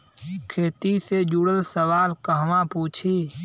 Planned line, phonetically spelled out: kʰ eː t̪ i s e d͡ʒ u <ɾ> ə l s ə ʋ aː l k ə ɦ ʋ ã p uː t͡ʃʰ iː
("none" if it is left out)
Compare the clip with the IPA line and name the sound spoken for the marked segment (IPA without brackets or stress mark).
ɽ